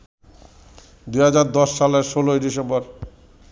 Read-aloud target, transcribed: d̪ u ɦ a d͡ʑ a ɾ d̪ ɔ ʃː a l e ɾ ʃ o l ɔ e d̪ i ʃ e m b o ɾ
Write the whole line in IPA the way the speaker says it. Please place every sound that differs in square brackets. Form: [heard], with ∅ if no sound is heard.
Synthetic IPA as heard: d̪ u ɦ a d͡ʑ a ɾ d̪ ɔ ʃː a l e ɾ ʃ o l [o] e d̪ i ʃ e m b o ɾ